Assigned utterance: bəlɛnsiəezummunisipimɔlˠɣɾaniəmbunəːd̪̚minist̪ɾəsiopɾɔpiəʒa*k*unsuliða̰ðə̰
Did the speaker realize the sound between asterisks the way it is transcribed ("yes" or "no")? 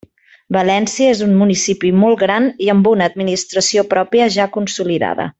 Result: yes